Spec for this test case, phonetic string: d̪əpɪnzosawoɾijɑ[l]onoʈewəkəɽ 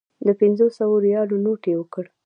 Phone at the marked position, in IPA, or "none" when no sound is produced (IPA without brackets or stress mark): l